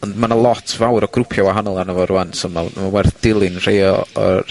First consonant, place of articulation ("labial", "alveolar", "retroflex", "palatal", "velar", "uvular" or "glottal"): alveolar